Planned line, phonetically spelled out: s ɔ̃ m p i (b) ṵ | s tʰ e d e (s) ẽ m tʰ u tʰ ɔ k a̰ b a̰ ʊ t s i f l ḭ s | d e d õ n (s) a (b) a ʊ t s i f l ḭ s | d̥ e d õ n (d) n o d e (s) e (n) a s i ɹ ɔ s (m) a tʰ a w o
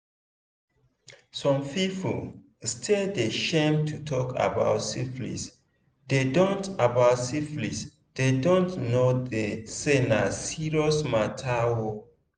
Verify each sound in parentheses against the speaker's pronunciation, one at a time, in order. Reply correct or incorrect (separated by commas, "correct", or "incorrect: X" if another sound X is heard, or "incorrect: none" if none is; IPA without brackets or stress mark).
incorrect: p, incorrect: ʃ, incorrect: t, correct, incorrect: t, correct, correct, correct